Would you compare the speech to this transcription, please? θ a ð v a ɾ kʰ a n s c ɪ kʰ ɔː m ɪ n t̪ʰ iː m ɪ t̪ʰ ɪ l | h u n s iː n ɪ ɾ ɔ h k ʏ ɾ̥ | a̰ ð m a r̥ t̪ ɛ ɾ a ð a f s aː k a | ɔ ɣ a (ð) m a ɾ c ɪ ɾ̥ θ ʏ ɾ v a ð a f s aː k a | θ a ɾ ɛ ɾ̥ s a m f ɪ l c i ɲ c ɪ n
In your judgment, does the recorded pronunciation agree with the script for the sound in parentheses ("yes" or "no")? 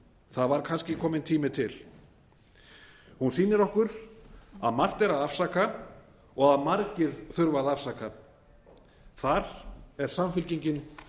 yes